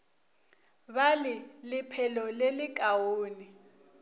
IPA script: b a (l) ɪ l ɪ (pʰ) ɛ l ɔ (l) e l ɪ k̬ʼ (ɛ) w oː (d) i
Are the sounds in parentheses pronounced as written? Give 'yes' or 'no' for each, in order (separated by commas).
yes, yes, yes, no, no